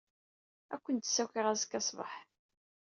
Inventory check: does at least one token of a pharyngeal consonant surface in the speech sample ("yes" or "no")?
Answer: yes